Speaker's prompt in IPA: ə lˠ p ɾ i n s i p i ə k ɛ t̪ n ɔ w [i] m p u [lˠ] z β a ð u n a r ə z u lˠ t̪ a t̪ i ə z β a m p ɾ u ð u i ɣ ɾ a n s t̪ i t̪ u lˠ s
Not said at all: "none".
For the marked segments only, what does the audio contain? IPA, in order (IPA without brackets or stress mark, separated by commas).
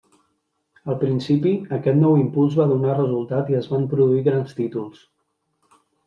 i, lˠ